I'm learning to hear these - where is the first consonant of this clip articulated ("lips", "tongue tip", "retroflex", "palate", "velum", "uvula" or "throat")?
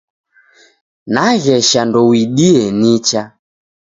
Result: tongue tip